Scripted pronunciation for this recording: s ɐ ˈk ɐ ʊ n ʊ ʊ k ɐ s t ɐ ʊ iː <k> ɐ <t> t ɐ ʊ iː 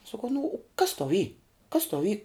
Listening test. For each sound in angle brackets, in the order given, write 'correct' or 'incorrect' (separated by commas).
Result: correct, incorrect